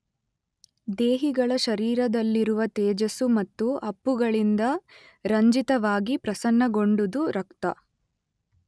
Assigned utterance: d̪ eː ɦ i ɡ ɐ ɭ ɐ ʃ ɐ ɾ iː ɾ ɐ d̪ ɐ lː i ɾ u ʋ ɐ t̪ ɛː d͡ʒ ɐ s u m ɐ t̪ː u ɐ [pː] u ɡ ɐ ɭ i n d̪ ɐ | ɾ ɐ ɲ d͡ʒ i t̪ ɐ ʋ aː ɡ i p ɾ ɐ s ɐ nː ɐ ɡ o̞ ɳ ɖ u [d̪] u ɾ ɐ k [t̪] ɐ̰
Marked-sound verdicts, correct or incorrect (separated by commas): correct, correct, correct